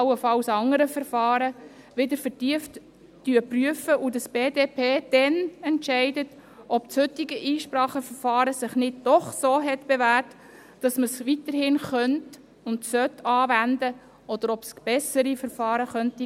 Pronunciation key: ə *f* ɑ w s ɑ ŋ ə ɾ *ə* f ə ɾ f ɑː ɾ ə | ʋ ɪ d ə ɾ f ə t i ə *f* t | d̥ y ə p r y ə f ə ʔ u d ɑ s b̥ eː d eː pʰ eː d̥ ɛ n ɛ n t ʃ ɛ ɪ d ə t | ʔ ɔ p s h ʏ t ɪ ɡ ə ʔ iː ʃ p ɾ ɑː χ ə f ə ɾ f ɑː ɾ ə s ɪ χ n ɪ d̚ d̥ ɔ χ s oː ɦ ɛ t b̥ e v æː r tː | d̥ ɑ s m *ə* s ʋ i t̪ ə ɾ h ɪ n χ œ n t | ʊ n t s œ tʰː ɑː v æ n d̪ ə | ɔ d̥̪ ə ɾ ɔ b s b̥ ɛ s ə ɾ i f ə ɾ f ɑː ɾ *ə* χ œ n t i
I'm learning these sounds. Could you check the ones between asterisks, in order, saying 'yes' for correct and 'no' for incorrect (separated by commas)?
yes, yes, yes, yes, yes